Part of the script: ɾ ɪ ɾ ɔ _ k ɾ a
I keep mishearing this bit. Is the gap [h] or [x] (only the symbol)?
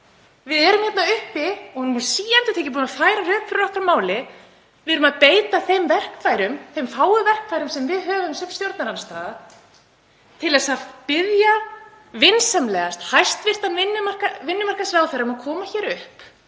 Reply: h